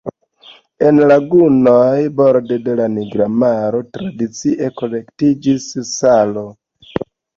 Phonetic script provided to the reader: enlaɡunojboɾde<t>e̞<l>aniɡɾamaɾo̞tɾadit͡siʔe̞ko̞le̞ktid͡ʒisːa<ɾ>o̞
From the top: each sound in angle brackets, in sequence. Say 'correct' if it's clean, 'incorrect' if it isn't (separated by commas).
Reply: incorrect, correct, incorrect